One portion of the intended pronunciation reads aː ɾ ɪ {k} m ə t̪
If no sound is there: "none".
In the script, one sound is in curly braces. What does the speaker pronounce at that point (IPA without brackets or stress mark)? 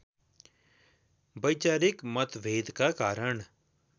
k